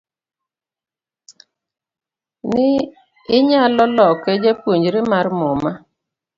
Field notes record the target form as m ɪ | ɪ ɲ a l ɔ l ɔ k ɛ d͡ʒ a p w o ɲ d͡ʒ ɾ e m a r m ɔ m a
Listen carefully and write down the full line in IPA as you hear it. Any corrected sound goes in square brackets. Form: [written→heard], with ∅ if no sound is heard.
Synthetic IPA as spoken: [m→n] ɪ | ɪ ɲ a l ɔ l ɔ k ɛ d͡ʒ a p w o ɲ d͡ʒ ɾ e m a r m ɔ m a